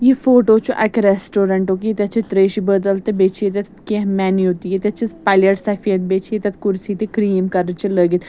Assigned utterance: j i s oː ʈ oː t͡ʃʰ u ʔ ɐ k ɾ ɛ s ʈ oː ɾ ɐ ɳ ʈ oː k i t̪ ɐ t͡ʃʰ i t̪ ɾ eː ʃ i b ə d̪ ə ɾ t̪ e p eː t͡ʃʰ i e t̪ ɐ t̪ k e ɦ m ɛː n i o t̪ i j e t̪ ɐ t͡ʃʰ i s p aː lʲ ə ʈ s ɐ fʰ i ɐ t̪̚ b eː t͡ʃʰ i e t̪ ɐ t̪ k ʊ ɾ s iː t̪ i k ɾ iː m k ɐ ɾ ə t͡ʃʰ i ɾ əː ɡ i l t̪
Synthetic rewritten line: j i f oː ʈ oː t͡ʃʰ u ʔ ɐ k ɾ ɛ s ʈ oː ɾ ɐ ɳ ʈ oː k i t̪ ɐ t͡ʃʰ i t̪ ɾ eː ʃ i b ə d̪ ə l t̪ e b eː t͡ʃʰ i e t̪ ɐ t̪ k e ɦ m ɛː n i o t̪ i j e t̪ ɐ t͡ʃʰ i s p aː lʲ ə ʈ s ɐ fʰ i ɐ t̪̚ b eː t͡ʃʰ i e t̪ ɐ t̪ k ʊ ɾ s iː t̪ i k ɾ iː m k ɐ ɾ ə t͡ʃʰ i l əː ɡ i t̪